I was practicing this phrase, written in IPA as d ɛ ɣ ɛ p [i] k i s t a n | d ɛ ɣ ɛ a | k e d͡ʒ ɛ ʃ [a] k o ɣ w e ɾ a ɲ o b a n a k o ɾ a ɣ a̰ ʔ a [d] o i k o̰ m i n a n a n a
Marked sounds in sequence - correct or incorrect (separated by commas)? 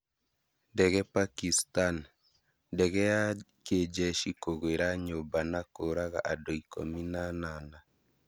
incorrect, incorrect, correct